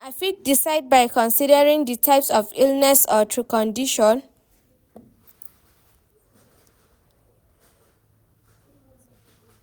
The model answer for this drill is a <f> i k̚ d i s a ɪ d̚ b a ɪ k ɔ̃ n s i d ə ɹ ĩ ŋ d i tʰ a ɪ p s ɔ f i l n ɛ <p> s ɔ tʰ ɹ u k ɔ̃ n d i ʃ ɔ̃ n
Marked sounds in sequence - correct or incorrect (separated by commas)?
correct, incorrect